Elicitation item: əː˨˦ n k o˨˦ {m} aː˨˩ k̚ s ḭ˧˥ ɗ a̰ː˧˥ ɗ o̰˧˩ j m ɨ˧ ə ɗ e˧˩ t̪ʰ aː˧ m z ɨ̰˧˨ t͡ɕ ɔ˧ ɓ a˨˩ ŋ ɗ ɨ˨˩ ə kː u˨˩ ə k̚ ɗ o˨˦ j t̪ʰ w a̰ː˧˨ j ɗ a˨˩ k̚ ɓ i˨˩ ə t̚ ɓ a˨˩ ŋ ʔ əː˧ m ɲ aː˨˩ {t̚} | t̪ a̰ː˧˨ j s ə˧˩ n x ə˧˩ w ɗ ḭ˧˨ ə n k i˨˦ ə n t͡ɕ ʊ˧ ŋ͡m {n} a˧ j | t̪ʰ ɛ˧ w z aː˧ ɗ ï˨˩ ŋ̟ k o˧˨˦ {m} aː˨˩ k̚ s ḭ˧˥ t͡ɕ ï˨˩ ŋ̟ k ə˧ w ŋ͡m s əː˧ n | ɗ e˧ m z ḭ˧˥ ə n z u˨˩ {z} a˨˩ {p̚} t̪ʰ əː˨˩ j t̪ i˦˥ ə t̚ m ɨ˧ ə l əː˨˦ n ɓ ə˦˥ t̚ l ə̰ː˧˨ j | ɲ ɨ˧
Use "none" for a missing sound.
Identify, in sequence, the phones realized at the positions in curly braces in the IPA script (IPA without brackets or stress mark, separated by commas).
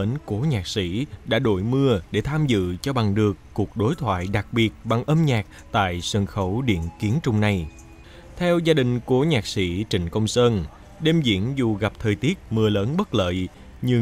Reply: ɲ, k̚, n, ɲ, ɣ, p̚